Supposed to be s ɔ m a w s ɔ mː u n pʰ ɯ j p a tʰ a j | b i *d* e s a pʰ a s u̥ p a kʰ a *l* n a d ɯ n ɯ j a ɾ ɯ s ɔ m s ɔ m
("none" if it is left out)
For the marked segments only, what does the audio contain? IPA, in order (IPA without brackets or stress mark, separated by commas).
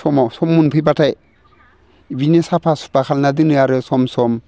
n, l